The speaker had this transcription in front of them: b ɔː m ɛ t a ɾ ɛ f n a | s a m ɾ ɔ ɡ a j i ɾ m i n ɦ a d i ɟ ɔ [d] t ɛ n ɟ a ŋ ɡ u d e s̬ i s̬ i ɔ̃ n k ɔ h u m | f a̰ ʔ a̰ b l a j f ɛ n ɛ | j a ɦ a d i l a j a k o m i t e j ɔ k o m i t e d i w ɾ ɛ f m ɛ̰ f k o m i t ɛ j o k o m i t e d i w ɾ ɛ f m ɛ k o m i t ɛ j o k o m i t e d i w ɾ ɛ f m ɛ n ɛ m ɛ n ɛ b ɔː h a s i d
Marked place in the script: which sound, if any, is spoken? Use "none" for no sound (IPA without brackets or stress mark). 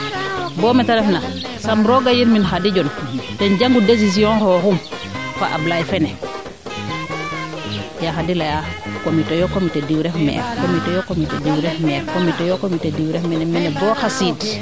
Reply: n